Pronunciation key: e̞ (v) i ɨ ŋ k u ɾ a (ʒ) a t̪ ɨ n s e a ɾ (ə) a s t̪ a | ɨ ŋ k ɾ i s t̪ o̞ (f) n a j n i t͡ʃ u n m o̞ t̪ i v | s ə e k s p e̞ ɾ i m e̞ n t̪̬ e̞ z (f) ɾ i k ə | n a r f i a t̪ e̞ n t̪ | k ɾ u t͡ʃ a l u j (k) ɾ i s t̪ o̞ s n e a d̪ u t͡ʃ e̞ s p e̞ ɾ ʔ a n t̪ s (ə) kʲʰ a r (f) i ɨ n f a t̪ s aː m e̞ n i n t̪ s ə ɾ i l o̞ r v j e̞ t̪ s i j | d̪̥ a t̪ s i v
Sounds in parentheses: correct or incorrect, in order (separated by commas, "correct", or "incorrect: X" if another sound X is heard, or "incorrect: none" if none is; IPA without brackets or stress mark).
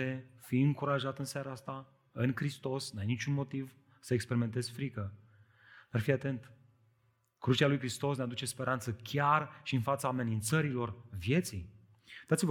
incorrect: f, correct, incorrect: a, incorrect: s, correct, correct, correct, incorrect: ʃ